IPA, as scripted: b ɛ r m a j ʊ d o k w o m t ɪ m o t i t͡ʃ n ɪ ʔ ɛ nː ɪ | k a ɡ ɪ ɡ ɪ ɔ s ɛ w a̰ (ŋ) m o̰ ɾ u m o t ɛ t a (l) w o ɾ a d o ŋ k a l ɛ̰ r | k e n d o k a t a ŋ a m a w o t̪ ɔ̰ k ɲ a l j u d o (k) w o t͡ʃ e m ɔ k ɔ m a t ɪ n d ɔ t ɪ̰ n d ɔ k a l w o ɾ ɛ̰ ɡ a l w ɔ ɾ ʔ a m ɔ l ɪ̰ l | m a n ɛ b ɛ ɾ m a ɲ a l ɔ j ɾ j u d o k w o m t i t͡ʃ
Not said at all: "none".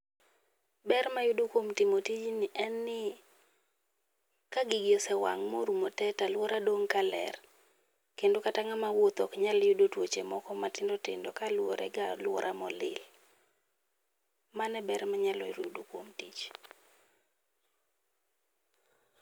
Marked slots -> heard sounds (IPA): ŋ, l, t

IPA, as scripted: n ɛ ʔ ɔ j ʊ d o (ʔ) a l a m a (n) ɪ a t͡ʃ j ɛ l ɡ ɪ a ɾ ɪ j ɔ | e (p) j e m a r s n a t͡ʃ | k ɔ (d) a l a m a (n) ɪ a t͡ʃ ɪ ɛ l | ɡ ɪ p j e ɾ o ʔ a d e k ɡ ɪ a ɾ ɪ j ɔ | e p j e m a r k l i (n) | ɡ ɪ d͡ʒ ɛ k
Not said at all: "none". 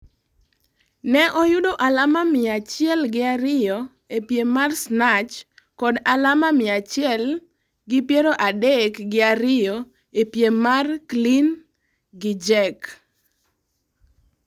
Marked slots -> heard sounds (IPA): ʔ, m, p, d, m, n

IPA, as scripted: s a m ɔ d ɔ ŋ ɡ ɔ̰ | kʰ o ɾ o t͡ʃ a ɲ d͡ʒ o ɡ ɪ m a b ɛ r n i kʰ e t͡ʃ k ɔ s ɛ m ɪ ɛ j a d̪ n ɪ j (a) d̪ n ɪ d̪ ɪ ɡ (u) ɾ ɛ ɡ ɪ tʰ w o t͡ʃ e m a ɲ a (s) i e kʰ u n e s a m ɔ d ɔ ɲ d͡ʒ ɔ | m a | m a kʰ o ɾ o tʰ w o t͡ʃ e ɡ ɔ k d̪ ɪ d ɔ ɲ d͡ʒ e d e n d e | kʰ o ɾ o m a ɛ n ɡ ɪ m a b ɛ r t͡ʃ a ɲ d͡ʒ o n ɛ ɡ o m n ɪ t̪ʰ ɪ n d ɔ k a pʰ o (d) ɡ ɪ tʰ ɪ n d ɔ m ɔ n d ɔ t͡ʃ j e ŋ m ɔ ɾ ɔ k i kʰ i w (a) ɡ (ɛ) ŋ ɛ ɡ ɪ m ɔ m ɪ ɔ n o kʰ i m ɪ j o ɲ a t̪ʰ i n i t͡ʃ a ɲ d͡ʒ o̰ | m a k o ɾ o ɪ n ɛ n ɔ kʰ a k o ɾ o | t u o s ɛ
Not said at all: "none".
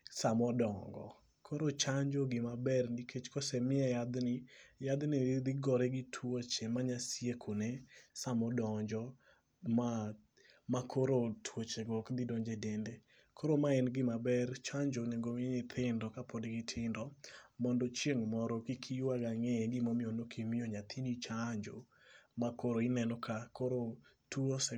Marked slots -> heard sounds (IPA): a, ɔ, s, d, a, a

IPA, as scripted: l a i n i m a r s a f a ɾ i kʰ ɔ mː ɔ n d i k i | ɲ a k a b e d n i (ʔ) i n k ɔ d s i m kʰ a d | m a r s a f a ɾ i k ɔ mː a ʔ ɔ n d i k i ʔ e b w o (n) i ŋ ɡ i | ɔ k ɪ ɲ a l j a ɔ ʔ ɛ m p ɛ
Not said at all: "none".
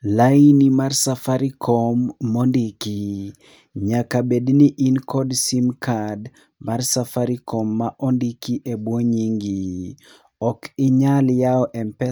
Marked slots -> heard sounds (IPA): ʔ, ɲ

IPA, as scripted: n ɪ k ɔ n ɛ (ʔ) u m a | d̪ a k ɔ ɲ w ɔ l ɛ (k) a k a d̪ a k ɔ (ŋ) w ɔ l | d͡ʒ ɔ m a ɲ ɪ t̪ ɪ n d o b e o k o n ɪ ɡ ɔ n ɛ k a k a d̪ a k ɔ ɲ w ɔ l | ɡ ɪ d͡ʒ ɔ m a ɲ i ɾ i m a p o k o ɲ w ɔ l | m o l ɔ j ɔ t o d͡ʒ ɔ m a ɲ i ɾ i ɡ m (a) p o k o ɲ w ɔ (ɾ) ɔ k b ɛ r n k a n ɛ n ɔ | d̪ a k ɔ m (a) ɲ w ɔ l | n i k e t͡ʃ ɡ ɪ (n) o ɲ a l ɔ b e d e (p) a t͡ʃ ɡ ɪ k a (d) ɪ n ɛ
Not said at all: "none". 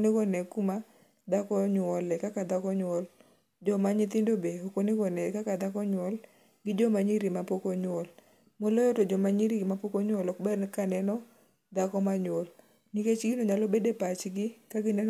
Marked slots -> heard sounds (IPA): k, k, ɲ, a, l, a, n, p, ɡ

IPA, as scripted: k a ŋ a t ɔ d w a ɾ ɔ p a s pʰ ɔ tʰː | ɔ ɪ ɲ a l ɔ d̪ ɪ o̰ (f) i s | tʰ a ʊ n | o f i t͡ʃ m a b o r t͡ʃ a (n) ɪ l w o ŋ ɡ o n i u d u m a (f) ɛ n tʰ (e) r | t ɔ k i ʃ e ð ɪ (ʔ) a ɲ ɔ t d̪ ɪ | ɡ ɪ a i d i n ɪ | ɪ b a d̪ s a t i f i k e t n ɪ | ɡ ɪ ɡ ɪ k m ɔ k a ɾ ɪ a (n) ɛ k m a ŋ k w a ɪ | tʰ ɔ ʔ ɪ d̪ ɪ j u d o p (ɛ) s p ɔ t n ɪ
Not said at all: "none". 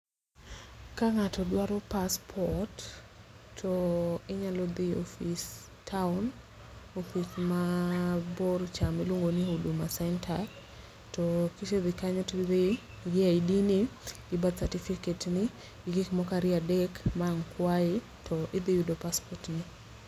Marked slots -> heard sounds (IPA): f, m, s, a, k, d, a

